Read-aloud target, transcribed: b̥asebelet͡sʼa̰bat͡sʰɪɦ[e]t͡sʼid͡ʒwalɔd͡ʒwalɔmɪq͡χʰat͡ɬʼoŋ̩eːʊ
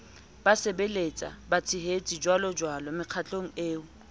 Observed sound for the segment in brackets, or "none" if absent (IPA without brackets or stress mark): e